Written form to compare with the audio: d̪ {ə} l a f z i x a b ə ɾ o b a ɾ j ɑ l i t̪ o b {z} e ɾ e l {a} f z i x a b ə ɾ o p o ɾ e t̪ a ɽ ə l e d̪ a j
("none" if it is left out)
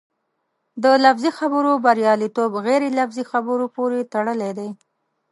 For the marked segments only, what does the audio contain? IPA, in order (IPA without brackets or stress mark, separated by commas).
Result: ə, ɣ, a